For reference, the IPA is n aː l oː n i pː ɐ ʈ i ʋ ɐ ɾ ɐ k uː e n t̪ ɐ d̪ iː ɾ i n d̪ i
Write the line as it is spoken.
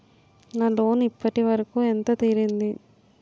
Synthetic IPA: n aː l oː n i pː ɐ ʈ i ʋ ɐ ɾ ɐ k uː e n t̪ ɐ t̪ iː ɾ i n d̪ i